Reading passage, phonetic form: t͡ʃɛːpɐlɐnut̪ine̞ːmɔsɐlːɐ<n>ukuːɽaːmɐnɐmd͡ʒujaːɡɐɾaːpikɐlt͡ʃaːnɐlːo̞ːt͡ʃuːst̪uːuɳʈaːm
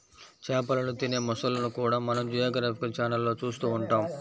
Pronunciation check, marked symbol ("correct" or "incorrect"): correct